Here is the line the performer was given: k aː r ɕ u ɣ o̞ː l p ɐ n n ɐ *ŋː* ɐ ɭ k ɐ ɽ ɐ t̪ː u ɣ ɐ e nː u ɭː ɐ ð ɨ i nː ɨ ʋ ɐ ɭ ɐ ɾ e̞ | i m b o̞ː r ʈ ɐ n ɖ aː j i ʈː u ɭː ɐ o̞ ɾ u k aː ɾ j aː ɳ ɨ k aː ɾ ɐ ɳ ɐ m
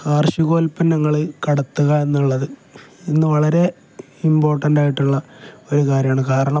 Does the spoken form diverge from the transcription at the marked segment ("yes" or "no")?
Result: no